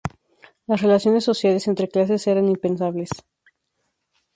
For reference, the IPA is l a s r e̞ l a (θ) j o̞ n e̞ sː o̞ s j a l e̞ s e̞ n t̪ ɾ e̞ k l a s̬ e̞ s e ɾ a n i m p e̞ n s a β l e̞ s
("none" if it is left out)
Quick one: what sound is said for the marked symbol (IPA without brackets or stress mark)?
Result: s